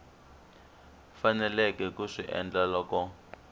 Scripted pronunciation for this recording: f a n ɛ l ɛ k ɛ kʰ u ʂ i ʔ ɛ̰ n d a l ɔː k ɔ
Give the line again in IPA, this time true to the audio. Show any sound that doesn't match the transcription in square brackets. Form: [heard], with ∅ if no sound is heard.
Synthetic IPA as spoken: f a n ɛ l ɛ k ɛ [k] u ʂ i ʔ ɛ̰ n [d͡ɮ] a l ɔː k ɔ